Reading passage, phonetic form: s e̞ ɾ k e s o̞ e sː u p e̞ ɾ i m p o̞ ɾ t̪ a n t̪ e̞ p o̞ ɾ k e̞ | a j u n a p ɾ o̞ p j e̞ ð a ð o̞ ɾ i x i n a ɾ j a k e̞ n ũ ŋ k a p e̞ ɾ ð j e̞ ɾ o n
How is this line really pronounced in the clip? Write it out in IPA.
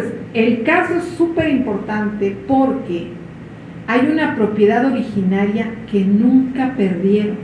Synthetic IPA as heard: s e̞ l k a s o̞ e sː u p e̞ ɾ i m p o̞ ɾ t̪ a n t̪ e̞ p o̞ ɾ k e̞ | a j u n a p ɾ o̞ p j e̞ ð a ð o̞ ɾ i x i n a ɾ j a k e̞ n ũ ŋ k a p e̞ ɾ ð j e̞ ɾ o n